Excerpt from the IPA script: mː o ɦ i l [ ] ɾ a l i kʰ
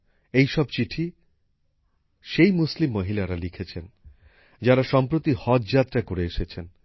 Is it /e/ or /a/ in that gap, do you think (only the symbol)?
a